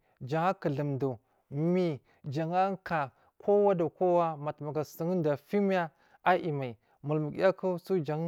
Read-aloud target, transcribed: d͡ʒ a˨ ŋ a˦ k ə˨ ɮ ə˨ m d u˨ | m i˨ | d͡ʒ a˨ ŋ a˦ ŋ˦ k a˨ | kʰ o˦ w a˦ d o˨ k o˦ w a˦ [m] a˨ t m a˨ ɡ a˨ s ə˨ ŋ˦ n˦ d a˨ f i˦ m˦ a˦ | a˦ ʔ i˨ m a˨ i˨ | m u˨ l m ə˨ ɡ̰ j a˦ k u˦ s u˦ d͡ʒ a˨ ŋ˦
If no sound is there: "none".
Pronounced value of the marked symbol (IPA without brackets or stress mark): m